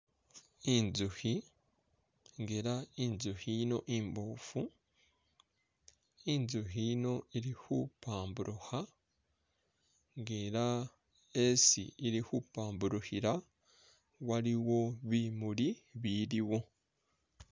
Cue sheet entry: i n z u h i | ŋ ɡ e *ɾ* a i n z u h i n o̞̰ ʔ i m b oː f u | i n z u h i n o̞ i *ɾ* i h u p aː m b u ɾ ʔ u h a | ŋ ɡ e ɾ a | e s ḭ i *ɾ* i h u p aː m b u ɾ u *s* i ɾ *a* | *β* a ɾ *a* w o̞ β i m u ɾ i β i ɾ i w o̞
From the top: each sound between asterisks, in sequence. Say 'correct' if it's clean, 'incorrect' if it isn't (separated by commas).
correct, correct, correct, incorrect, correct, incorrect, incorrect